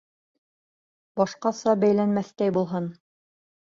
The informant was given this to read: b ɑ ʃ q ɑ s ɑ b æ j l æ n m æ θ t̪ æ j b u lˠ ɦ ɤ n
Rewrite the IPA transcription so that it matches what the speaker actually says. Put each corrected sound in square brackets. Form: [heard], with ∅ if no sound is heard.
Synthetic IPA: b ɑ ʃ q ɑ s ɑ b æ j l æ n m æ θ t̪ æ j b u lˠ ɦ ɤ n

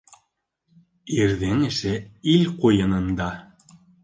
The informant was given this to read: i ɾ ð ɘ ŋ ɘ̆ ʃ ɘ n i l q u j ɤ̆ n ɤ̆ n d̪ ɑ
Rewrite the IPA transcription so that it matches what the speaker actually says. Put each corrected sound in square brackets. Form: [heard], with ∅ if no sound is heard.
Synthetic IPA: i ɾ ð ɘ ŋ ɘ̆ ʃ ɘ [∅] i l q u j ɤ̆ n ɤ̆ n d̪ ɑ

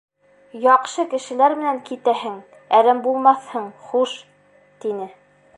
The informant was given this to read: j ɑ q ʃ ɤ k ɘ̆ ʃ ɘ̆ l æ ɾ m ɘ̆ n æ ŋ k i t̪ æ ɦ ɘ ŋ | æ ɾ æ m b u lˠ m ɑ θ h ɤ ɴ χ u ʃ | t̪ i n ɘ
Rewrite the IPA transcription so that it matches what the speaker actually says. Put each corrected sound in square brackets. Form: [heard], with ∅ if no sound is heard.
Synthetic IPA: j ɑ q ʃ ɤ k ɘ̆ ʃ ɘ̆ l æ ɾ m ɘ̆ n æ ŋ k i t̪ æ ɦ ɘ ŋ | æ ɾ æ m b u lˠ m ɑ θ h ɤ ɴ χ u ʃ | t̪ i n ɘ

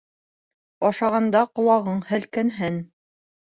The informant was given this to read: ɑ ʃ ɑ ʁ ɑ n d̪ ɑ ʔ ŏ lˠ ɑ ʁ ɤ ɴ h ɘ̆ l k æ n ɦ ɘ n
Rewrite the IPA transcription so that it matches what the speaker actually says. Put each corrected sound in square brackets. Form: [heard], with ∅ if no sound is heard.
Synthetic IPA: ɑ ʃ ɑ ʁ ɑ n d̪ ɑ [q] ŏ lˠ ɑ ʁ ɤ ɴ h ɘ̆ l k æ n ɦ ɘ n

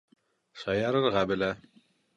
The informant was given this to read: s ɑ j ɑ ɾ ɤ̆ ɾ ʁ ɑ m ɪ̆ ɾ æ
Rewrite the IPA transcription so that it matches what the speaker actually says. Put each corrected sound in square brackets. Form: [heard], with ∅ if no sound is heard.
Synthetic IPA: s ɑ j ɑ ɾ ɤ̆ ɾ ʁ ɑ [b] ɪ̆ [l] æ

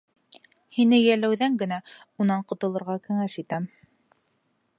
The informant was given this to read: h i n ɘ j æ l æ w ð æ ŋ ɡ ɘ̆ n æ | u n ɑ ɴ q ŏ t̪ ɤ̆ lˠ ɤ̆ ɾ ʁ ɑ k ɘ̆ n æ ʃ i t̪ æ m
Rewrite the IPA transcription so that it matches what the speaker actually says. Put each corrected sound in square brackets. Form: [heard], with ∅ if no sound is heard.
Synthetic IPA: h i n ɘ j æ l æ w ð æ ŋ ɡ ɘ̆ n æ | u n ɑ ɴ q ŏ t̪ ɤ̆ lˠ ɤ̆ ɾ ʁ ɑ k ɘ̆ [ŋ] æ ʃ i t̪ æ m

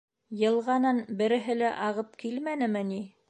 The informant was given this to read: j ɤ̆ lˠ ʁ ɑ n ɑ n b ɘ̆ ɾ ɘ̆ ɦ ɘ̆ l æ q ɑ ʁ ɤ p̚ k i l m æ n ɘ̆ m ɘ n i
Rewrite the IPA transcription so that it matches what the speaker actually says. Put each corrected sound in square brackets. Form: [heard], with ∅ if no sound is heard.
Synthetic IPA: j ɤ̆ lˠ ʁ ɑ n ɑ n b ɘ̆ ɾ ɘ̆ ɦ ɘ̆ l æ [ʔ] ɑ ʁ ɤ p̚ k i l m æ n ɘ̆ m ɘ n i

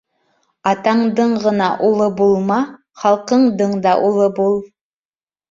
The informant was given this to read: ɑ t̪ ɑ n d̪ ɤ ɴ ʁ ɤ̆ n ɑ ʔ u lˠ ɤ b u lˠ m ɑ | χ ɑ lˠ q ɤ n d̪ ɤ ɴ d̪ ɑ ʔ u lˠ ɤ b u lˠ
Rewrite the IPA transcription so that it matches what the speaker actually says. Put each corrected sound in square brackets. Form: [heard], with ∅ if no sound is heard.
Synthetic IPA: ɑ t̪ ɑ [ɴ] d̪ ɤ ɴ ʁ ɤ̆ n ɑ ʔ u lˠ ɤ b u lˠ m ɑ | χ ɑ lˠ q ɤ [ɴ] d̪ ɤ ɴ d̪ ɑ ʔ u lˠ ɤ b u lˠ

